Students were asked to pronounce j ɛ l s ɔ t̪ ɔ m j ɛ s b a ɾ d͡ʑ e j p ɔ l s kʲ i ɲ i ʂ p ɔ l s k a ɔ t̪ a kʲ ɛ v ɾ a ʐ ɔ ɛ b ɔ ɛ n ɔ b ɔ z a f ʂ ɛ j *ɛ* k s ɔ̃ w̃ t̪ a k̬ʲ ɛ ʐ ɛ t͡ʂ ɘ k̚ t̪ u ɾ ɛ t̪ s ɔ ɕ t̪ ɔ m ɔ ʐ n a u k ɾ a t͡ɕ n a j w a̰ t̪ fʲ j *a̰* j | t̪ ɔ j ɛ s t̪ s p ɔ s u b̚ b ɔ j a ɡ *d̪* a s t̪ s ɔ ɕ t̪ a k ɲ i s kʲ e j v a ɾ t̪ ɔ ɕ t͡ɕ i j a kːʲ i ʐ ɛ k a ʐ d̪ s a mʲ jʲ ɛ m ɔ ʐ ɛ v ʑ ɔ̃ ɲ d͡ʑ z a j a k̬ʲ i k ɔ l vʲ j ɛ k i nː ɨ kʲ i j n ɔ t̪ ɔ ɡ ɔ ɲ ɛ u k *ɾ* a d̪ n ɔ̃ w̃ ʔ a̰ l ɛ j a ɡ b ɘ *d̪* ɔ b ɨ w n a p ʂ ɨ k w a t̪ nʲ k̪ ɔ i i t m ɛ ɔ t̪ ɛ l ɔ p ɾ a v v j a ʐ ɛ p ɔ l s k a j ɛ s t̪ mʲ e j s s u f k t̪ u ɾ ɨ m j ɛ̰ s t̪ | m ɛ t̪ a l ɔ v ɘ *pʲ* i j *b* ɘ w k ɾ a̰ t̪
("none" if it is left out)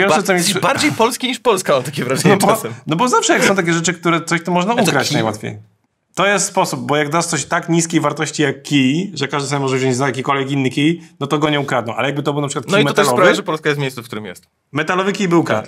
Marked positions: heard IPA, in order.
a, ḛ, d̪, ɾ, t̪, kʲ, b

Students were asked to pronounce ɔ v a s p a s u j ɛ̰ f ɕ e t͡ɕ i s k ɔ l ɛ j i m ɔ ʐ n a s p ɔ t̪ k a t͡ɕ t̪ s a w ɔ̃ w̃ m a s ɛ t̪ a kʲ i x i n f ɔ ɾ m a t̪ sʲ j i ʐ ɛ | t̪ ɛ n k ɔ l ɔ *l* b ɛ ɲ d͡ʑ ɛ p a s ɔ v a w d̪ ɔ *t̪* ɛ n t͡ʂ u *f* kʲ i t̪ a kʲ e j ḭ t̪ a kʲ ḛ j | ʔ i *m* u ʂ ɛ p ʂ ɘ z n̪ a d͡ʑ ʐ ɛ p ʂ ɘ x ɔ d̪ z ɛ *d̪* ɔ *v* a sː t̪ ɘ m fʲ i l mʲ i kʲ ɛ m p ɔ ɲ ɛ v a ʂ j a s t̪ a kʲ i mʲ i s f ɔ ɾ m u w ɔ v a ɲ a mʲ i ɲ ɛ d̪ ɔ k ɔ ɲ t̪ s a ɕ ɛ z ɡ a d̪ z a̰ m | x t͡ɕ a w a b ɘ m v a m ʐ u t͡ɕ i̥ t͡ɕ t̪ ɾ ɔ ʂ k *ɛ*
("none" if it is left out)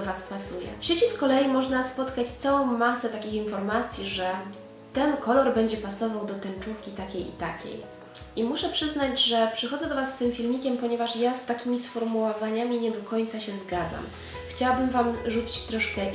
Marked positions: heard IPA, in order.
ɾ, t̪, f, m, d̪, v, ɛ

